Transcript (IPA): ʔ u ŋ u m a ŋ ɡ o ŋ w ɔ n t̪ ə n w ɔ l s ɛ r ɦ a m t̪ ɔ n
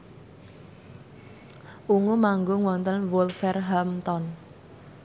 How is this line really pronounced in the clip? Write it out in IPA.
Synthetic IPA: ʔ u ŋ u m a ŋ ɡ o ŋ w ɔ n t̪ ə n w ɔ l f ɛ r ɦ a m t̪ ɔ n